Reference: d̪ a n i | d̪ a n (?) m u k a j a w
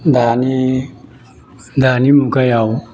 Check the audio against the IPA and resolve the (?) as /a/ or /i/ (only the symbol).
i